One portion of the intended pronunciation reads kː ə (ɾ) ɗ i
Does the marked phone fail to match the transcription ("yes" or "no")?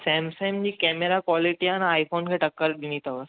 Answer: no